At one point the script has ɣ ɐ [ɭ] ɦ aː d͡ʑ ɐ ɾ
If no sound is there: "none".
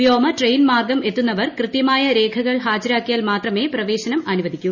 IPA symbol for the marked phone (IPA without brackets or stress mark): ɭ